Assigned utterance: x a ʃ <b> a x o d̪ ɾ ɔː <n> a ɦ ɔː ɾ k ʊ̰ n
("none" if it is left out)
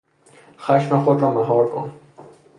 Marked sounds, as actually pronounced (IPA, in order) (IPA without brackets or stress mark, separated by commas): m, m